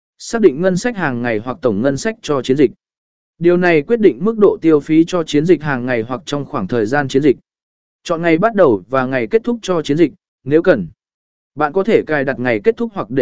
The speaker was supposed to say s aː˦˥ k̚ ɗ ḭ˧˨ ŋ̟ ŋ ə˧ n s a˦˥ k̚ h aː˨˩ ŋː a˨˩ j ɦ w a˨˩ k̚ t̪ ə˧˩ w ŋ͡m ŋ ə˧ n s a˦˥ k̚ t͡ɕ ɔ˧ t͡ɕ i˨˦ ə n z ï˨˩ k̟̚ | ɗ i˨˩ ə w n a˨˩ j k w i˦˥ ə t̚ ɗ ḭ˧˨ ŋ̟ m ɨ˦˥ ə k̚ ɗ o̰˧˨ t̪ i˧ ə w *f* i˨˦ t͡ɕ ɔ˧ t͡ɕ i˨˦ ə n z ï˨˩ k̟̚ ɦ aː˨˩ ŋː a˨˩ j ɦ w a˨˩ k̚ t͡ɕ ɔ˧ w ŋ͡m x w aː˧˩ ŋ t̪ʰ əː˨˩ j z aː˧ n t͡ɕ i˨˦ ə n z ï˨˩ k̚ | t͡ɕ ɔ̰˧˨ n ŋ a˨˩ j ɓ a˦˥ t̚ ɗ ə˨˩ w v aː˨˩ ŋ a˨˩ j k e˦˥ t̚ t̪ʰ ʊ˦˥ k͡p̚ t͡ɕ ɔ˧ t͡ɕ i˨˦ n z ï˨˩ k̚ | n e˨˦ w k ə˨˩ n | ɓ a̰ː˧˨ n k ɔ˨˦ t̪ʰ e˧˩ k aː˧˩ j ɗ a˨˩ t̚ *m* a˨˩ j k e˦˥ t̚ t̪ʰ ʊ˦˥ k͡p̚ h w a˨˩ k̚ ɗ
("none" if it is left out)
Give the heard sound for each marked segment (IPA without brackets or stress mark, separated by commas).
f, ŋ